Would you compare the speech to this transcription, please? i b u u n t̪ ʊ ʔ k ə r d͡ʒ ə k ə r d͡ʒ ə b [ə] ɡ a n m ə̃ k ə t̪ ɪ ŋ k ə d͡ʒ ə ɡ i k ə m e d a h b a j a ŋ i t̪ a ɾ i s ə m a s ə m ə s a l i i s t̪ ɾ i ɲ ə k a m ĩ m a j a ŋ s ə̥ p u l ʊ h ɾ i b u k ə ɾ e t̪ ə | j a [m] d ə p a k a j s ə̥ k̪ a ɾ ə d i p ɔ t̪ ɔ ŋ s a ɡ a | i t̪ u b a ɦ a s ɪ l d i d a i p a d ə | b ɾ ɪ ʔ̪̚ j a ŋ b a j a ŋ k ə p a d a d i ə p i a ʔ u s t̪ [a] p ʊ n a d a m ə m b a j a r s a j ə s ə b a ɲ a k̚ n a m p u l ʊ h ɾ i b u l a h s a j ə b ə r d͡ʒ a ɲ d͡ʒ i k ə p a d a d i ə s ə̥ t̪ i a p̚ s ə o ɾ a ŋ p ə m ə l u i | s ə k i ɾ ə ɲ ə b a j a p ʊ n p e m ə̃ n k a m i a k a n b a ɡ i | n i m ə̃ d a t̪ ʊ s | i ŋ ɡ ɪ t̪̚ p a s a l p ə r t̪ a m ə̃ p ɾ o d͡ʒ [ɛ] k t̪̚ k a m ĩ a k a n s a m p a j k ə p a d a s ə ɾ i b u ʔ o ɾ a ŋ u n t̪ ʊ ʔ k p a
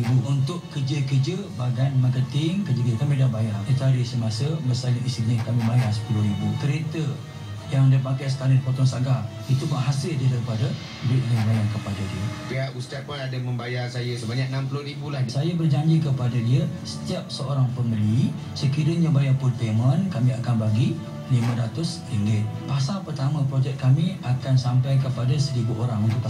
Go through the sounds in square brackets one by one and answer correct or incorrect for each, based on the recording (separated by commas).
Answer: incorrect, incorrect, correct, correct